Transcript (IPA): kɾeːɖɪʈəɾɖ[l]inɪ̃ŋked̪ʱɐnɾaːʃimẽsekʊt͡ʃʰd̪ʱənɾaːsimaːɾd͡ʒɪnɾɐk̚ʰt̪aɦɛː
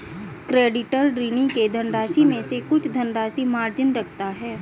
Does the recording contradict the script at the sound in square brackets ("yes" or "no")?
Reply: yes